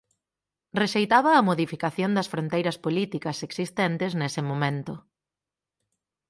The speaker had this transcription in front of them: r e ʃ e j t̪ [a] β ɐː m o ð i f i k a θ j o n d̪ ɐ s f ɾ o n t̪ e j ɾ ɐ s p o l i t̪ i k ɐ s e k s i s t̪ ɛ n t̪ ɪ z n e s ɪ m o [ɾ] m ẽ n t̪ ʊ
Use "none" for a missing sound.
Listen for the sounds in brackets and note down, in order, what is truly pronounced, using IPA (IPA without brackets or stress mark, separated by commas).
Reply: a, none